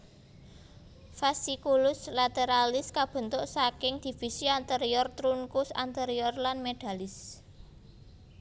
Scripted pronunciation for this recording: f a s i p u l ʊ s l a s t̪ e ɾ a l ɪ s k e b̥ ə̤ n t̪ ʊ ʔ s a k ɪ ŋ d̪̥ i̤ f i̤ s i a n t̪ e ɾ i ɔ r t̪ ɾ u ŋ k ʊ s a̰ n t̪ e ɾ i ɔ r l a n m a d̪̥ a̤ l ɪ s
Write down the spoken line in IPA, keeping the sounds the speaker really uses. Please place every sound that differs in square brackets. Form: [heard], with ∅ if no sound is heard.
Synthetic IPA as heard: f a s i [k] u l ʊ s l a [∅] t̪ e ɾ a l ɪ s k [a] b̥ ə̤ n t̪ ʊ ʔ s a k ɪ ŋ d̪̥ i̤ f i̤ s i a n t̪ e ɾ i ɔ r t̪ ɾ u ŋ k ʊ s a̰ n t̪ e ɾ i ɔ r l a n m [e] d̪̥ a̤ l ɪ s